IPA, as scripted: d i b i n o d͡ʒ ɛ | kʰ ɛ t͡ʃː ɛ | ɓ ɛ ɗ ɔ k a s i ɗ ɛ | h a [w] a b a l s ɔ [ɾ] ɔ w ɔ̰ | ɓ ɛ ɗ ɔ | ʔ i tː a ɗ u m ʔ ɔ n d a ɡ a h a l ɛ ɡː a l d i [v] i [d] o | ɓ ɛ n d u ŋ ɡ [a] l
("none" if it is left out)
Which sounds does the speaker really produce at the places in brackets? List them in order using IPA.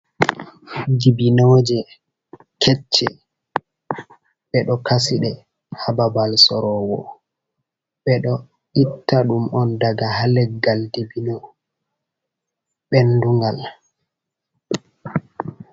b, ɾ, b, n, a

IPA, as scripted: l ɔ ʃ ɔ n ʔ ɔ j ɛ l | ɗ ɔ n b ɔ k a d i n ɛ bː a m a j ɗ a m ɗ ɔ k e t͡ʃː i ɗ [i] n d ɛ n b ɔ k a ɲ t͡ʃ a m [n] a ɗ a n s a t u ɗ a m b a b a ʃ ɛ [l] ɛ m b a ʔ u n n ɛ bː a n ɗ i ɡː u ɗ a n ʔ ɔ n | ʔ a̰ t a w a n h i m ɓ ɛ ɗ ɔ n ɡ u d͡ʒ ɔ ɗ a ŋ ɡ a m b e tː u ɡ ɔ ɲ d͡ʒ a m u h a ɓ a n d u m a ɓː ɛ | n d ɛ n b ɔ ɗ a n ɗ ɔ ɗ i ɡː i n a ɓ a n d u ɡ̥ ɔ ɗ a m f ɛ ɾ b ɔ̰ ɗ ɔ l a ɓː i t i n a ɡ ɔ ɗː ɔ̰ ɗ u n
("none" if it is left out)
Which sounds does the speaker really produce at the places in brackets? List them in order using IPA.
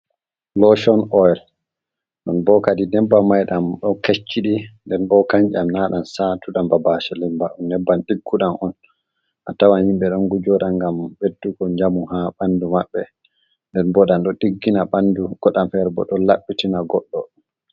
i, n, l

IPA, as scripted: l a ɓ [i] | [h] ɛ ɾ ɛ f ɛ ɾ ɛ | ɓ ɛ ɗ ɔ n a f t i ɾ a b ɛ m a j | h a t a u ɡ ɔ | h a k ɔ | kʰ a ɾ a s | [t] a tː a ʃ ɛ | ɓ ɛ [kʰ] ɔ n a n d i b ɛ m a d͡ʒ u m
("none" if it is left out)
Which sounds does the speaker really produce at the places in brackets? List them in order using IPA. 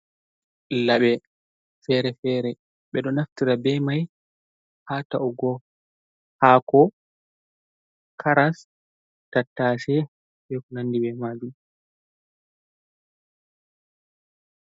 ɛ, f, t, k

